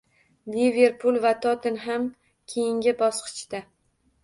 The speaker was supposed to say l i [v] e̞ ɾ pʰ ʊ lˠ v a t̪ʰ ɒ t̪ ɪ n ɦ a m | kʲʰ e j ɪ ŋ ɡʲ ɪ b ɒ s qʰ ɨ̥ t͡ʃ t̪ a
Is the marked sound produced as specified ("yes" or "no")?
yes